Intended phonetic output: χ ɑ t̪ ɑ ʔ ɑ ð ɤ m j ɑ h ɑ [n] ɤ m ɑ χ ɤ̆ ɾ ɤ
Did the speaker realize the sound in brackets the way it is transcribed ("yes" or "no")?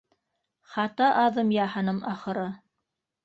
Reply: yes